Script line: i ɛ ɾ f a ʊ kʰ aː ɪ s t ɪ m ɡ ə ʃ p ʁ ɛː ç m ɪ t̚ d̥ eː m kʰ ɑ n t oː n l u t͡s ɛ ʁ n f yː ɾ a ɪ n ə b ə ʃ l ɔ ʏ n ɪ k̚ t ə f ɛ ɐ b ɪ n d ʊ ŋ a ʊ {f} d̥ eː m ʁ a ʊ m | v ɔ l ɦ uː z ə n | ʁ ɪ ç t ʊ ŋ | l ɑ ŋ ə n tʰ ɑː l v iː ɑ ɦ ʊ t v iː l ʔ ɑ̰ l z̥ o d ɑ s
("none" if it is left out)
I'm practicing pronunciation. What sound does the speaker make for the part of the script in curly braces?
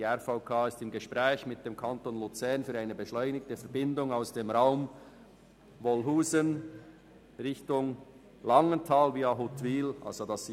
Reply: s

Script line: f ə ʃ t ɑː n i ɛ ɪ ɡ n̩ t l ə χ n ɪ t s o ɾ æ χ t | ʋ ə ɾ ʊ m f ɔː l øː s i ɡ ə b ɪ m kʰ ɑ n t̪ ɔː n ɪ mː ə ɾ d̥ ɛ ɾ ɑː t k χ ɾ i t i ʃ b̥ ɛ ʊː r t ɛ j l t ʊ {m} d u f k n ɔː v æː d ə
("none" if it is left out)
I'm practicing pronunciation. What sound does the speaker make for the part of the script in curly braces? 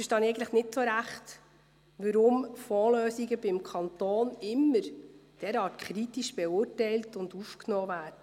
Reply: n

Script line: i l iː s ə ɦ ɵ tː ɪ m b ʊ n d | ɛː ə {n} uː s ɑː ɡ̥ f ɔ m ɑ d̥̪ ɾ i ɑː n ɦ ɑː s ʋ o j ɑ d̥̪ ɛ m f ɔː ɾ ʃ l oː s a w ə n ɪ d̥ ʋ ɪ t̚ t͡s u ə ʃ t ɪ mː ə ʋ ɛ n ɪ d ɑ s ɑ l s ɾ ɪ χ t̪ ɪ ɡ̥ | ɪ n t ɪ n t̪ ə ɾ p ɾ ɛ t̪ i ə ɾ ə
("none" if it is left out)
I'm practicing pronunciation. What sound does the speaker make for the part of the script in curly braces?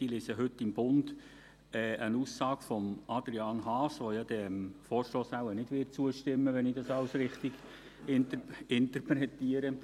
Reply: n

